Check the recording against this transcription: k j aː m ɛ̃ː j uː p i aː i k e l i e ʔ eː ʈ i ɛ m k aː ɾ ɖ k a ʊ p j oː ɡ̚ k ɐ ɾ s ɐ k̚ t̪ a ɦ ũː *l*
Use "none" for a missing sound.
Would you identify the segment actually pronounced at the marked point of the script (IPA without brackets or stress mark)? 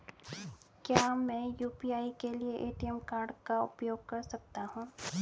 none